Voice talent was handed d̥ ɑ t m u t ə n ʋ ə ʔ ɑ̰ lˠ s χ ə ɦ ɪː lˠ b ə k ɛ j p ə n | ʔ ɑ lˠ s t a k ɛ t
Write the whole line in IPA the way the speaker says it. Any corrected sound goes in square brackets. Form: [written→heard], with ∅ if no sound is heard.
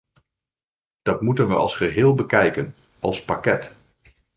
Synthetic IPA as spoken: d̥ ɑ t m u t ə n ʋ ə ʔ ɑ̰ lˠ s χ ə ɦ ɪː lˠ b ə k ɛ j [p→k] ə n | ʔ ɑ lˠ s [t→p] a k ɛ t